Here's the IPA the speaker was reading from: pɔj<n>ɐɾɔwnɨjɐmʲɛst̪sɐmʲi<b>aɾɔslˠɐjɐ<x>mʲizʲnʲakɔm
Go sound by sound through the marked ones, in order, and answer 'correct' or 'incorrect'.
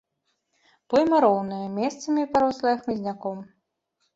incorrect: m, incorrect: p, correct

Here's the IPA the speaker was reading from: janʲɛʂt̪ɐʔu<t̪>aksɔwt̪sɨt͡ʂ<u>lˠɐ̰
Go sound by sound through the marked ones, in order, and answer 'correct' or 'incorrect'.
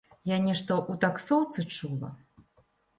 correct, correct

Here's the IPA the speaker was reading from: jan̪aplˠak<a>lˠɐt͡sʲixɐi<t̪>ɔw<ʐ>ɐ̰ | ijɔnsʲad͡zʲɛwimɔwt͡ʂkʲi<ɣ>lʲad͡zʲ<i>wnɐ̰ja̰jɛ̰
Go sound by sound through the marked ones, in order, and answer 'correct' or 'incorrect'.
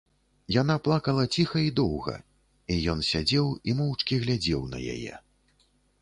incorrect: ɐ, incorrect: d̪, incorrect: ɣ, correct, incorrect: ɛ

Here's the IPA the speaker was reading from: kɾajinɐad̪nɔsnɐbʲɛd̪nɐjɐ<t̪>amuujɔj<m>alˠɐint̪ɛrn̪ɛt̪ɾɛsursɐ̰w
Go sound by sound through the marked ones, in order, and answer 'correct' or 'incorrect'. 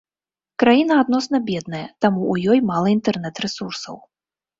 correct, correct

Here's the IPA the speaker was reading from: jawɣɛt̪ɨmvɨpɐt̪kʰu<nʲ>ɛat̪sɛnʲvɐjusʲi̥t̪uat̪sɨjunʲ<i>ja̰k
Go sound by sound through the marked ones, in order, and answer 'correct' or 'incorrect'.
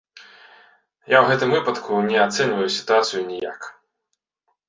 correct, correct

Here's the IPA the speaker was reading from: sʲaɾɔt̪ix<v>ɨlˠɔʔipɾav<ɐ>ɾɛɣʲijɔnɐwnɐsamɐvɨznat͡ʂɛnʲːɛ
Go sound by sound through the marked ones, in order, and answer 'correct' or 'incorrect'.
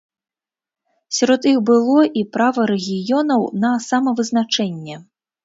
incorrect: b, correct

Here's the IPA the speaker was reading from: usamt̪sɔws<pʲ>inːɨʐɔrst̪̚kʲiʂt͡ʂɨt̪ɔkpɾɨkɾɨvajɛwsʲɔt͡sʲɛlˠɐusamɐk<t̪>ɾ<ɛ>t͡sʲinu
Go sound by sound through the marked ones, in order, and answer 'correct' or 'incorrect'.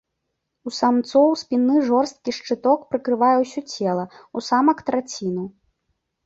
correct, correct, incorrect: a

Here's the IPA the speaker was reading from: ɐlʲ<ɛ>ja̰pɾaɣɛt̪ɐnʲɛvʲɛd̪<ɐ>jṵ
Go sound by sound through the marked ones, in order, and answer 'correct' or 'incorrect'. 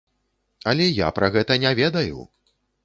correct, correct

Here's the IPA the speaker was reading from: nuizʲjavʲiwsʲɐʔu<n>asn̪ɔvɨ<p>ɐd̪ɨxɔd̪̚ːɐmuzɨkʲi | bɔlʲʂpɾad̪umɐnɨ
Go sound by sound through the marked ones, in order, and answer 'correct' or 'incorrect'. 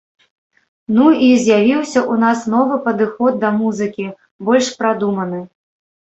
correct, correct

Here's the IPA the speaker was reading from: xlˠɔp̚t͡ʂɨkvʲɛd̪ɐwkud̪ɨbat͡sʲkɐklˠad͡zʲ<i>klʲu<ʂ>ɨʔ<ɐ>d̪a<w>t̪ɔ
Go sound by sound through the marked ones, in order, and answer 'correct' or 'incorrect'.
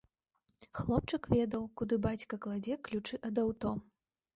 incorrect: ɛ, incorrect: t͡ʂ, correct, correct

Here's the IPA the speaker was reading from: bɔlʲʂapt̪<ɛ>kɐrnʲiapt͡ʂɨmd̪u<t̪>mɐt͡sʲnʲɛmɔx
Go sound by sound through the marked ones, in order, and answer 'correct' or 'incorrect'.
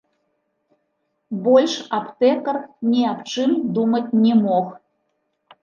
correct, incorrect: none

